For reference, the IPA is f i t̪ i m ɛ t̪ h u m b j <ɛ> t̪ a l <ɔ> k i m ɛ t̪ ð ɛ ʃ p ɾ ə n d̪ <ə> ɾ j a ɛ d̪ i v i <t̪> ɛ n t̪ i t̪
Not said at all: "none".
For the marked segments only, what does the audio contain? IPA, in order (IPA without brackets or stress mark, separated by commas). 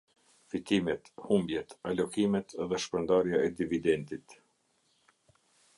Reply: ɛ, ɔ, a, d̪